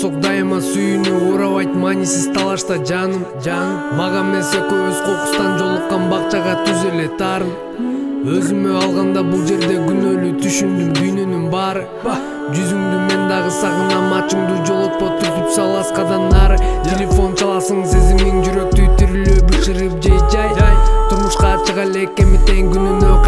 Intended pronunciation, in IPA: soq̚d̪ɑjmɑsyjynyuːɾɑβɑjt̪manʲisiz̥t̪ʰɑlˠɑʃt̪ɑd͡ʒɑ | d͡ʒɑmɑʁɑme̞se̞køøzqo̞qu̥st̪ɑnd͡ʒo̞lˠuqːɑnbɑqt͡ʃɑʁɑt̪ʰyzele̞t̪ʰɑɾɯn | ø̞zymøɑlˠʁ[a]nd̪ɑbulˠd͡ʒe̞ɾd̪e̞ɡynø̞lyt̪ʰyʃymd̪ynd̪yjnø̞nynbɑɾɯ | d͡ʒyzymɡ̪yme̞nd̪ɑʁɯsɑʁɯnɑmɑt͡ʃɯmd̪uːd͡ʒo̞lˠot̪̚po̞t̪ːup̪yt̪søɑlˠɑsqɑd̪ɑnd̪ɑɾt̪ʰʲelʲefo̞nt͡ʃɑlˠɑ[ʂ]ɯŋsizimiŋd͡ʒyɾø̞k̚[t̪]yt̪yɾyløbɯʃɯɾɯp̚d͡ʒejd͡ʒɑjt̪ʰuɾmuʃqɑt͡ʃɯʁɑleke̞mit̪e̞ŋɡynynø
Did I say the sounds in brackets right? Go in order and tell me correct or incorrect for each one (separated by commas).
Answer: incorrect, incorrect, correct